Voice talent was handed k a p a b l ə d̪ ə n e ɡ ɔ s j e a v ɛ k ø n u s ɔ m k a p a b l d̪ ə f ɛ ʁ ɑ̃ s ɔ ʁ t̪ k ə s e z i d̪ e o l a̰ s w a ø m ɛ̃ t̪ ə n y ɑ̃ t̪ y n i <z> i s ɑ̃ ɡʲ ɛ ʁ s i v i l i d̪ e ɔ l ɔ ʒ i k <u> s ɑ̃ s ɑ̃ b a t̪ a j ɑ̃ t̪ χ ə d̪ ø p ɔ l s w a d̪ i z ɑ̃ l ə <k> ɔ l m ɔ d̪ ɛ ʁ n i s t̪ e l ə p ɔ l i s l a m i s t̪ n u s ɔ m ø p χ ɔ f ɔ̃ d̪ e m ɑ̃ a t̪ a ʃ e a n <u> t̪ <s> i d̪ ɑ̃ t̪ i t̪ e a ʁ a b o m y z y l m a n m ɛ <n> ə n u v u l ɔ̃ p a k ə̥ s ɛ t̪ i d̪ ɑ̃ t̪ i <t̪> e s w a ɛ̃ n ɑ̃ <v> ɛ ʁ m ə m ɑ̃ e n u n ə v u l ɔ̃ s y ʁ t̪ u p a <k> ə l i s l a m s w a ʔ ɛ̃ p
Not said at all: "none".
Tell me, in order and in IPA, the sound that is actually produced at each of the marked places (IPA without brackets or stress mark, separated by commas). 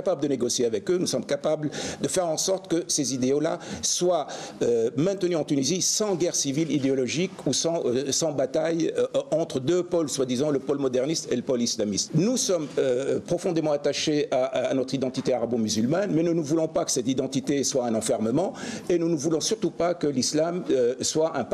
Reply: z, u, p, ɔ, χ, n, t̪, f, k